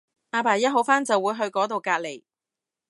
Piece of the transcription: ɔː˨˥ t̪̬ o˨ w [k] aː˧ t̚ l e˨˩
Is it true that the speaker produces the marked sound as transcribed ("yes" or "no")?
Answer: yes